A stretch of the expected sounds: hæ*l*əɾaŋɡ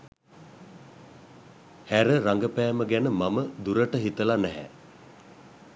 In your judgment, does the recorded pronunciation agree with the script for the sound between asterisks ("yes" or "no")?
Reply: no